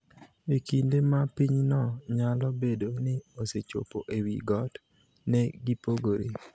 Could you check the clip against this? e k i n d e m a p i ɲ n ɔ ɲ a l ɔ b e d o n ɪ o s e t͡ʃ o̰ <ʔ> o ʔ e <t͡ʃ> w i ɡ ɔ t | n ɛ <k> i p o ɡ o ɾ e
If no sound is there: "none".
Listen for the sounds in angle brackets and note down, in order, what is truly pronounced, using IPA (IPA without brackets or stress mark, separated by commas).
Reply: p, none, ɡ